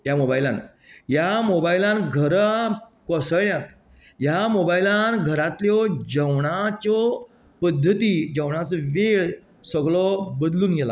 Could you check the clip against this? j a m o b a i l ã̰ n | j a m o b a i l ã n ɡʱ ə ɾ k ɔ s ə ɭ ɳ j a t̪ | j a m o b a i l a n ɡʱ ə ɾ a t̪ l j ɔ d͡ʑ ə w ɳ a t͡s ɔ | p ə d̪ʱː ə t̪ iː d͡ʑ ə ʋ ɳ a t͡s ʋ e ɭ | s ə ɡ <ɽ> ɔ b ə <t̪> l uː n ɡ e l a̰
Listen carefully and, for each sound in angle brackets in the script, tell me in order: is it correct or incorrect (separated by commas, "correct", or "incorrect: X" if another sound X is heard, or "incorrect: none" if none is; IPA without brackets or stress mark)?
incorrect: ɭ, incorrect: d̪